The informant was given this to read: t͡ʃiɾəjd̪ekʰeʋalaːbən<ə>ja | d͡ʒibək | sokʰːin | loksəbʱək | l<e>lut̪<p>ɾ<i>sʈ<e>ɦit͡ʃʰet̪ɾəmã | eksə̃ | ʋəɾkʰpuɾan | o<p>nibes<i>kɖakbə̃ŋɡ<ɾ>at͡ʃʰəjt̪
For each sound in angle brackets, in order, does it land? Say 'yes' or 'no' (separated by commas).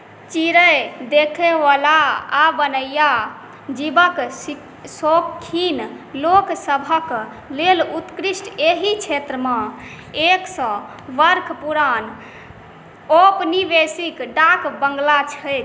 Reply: yes, yes, no, yes, yes, yes, yes, no